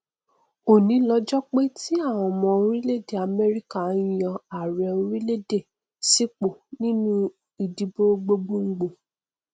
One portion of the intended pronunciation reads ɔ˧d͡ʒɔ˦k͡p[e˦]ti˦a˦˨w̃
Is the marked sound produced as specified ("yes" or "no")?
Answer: yes